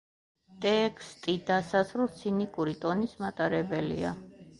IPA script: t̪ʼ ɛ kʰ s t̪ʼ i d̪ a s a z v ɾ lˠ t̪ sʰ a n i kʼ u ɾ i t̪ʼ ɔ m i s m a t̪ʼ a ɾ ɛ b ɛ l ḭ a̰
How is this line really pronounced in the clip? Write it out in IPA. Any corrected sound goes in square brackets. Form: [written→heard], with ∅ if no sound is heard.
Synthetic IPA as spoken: t̪ʼ ɛ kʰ s t̪ʼ i d̪ a s a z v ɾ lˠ t̪ sʰ [a→i] n i kʼ u ɾ i t̪ʼ ɔ [m→n] i s m a t̪ʼ a ɾ ɛ b ɛ l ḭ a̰